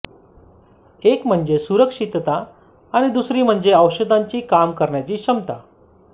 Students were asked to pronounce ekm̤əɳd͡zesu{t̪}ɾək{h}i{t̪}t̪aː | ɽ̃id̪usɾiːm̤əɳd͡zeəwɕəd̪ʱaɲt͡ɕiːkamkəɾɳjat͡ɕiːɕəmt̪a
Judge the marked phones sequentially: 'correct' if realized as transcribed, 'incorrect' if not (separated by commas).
incorrect, incorrect, correct